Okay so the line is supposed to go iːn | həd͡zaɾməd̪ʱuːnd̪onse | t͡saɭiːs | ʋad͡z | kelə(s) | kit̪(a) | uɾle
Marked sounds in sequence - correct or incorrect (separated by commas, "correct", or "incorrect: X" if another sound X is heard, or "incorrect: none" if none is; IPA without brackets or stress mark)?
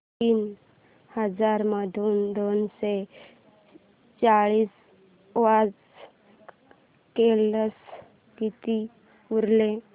correct, incorrect: i